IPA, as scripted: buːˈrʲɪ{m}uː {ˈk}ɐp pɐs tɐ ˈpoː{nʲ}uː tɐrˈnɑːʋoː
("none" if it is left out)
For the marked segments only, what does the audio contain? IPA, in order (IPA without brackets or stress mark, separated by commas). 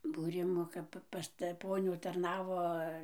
m, k, nʲ